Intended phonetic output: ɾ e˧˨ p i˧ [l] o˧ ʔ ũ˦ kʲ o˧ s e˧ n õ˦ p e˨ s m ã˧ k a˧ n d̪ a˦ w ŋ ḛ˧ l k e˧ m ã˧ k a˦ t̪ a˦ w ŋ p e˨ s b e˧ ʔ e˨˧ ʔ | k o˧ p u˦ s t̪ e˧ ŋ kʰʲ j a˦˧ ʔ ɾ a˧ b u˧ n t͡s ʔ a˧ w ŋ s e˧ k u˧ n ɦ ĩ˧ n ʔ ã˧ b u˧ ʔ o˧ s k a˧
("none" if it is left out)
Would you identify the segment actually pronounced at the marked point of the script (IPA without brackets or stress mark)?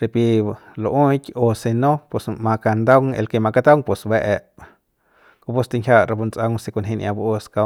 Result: l